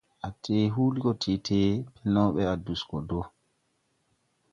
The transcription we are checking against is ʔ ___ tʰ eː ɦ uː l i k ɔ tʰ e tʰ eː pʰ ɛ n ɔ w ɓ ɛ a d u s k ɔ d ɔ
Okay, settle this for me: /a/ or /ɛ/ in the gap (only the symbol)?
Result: a